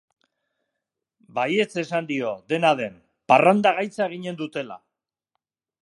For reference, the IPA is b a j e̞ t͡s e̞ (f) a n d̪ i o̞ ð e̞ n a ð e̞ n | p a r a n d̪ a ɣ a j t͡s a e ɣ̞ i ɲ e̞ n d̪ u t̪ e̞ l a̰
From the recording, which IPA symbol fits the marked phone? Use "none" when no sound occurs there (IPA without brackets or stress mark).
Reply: s